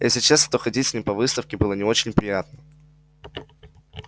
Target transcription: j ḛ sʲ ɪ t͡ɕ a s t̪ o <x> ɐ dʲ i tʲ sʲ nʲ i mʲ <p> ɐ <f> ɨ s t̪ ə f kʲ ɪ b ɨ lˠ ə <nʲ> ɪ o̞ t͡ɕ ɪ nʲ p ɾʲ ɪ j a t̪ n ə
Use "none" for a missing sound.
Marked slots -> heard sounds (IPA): x, p, v, nʲ

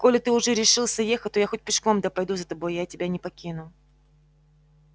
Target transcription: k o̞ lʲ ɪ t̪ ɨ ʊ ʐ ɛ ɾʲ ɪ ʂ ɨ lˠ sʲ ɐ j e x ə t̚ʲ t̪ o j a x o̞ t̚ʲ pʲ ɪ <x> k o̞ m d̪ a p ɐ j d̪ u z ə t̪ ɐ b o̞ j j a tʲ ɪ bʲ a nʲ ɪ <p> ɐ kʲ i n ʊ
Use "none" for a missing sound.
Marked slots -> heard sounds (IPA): ʂ, p

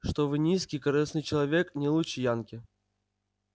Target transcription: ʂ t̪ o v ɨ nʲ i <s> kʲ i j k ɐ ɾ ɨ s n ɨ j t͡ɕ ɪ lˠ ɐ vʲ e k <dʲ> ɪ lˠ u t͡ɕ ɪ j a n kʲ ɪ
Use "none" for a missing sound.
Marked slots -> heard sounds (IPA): s, nʲ

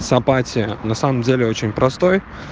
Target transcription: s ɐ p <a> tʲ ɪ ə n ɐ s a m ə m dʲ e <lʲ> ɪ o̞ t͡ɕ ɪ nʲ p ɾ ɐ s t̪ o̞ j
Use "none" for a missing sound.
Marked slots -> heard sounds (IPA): a, lʲ

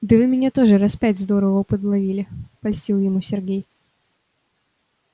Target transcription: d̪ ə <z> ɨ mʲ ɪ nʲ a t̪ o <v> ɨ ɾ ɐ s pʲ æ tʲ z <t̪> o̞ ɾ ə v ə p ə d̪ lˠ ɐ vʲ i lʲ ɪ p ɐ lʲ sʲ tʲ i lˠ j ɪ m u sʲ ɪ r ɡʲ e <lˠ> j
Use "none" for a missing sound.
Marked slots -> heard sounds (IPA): v, ʐ, d̪, none

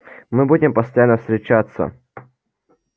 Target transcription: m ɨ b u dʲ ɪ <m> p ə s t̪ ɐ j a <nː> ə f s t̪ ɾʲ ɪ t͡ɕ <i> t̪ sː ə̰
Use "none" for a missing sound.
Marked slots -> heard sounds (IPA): m, nː, a

